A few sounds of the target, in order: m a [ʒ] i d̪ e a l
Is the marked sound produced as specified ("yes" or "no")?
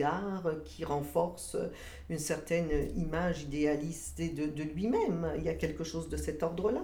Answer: yes